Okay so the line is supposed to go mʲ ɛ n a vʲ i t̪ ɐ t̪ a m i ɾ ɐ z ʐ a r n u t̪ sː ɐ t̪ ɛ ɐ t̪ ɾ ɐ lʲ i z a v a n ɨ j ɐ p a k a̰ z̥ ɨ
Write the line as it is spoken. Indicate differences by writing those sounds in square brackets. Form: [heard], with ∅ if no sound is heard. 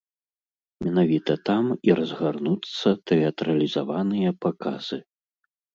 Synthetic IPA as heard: mʲ ɛ n a vʲ i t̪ ɐ t̪ a m i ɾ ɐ z [ɣ] a r n u t̪ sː ɐ t̪ ɛ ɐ t̪ ɾ ɐ lʲ i z a v a n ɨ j ɐ p a k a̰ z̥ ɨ